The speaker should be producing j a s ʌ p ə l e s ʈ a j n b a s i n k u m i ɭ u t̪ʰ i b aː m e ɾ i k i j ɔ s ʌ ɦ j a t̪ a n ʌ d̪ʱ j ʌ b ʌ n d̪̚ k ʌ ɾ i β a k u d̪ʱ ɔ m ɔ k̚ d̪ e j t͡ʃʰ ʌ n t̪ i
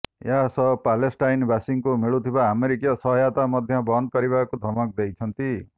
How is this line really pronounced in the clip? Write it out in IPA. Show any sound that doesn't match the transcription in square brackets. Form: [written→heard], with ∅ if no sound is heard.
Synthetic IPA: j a s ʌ p [ə→a] l e s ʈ a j n b a s i [n→ŋ] k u m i ɭ u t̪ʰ i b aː m e ɾ i k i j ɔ s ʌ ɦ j a t̪ a [n→m] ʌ d̪ʱ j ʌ b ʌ n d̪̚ k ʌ ɾ i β a k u d̪ʱ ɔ m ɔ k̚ d̪ e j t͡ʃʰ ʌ n t̪ i